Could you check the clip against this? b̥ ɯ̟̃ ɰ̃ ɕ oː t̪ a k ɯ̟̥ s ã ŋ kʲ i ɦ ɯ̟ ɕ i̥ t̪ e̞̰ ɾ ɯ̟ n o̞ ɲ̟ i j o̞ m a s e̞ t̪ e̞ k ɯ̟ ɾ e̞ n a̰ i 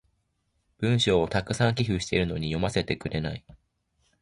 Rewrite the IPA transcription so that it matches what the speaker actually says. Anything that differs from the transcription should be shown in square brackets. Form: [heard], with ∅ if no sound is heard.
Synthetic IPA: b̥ ɯ̟̃ ɰ̃ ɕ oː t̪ a k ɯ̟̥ s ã ŋ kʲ i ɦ ɯ̟ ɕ i̥ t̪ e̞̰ ɾ ɯ̟ n o̞ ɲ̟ i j o̞ m a s e̞ t̪ e̞ k ɯ̟ ɾ e̞ n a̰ i